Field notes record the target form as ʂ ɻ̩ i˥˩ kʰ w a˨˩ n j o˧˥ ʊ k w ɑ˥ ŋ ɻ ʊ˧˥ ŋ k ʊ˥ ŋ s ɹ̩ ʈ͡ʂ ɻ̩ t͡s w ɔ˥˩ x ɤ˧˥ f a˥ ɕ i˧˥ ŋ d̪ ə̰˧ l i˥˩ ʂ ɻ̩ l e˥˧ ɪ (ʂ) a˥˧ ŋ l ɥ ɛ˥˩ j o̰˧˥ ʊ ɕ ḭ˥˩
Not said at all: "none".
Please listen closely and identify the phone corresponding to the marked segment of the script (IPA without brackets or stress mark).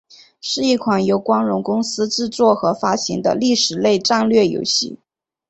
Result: ʈ͡ʂ